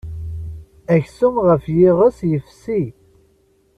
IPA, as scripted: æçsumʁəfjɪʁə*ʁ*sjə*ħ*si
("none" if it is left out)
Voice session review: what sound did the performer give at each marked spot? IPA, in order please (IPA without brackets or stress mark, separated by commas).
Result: none, f